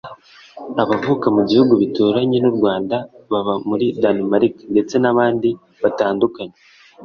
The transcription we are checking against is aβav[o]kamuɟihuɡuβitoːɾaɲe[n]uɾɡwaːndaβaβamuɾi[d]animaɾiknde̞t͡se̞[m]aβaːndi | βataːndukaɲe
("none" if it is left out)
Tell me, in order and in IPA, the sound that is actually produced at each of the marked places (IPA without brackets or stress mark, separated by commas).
u, n, d, n